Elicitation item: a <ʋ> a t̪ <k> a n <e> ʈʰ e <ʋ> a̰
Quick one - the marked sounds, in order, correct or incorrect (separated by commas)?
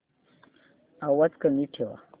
incorrect, correct, incorrect, incorrect